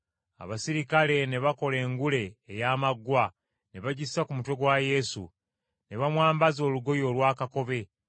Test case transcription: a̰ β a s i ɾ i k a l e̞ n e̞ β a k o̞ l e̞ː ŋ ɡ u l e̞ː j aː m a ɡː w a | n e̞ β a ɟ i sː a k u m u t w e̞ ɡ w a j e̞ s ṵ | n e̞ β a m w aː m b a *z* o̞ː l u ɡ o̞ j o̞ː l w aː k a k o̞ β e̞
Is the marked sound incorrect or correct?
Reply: correct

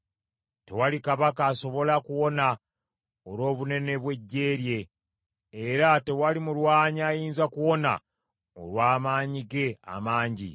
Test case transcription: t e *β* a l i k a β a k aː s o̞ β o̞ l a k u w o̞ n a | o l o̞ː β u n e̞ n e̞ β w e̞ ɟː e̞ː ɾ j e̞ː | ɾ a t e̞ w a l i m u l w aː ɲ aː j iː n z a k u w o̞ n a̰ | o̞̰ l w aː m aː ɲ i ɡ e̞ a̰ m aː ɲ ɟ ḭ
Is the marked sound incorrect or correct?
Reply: incorrect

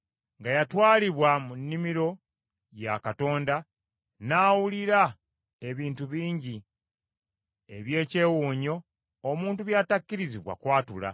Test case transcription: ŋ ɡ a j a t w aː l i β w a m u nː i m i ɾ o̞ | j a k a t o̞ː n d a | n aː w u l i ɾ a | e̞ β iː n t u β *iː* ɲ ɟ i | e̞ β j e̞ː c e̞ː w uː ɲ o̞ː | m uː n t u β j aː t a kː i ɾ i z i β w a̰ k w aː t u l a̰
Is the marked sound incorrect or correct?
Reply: correct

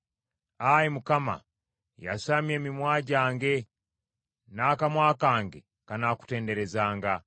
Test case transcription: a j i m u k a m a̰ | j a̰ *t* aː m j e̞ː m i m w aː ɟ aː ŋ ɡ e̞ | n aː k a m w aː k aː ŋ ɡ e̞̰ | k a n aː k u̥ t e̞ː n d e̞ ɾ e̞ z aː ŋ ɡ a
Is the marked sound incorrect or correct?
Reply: incorrect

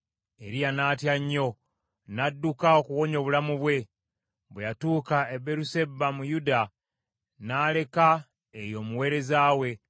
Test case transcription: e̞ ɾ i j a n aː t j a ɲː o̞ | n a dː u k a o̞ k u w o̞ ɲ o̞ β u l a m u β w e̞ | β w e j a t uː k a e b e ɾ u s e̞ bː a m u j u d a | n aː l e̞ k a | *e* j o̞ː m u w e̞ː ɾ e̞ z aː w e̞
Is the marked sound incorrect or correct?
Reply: correct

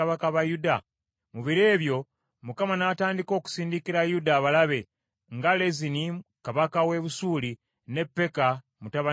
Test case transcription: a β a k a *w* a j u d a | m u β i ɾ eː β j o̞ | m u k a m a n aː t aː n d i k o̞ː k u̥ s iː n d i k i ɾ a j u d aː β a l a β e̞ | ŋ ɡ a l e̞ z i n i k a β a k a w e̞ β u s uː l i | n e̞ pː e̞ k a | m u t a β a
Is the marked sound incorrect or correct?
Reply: incorrect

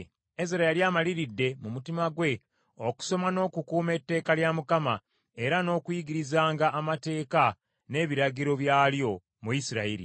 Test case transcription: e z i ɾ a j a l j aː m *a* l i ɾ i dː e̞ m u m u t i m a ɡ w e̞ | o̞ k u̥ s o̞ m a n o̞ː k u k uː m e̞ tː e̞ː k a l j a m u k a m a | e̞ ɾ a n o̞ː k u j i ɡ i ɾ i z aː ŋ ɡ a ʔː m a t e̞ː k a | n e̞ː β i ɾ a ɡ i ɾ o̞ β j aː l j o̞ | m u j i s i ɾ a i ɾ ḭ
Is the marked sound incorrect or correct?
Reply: correct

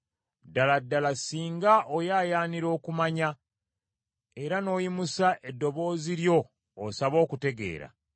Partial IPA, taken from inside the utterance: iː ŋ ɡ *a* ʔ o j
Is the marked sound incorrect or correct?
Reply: correct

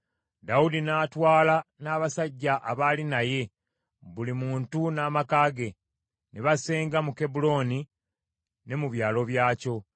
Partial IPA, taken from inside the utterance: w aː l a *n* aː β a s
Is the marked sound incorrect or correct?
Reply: correct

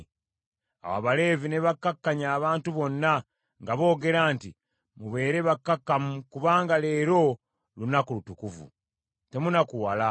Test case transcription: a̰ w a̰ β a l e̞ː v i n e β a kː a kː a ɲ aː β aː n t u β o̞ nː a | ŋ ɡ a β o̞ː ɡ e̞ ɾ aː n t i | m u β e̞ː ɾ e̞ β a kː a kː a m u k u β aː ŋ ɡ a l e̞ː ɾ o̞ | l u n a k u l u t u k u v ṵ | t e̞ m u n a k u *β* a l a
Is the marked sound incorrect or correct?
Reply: incorrect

